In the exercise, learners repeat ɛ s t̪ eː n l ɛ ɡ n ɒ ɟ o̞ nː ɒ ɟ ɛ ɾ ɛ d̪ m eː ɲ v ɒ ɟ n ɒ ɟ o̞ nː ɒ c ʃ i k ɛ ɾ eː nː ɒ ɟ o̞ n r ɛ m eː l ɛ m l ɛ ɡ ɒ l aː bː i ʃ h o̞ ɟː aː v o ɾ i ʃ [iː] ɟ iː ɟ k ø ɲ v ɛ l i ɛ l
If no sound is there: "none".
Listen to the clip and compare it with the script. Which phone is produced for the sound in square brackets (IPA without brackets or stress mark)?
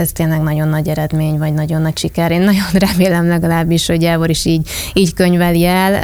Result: iː